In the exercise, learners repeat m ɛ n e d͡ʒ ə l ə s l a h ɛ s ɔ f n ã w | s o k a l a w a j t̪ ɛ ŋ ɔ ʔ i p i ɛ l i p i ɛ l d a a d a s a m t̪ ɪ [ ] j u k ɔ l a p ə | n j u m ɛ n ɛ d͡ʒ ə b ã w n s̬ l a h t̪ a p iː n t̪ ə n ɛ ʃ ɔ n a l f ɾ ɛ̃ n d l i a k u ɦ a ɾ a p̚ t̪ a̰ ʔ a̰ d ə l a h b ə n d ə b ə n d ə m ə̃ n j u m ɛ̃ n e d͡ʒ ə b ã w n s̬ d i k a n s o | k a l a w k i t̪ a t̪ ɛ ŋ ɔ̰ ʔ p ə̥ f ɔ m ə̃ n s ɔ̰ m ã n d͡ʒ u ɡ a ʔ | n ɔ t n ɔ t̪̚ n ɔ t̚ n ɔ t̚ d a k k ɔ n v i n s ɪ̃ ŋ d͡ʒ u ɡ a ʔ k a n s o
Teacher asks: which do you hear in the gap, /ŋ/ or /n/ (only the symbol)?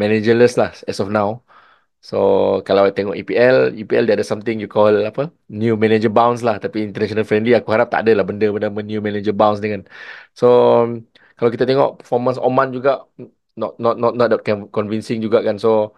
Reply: ŋ